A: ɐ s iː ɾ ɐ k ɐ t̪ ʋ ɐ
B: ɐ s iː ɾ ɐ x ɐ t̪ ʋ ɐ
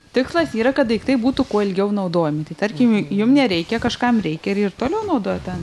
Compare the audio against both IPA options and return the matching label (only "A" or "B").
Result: A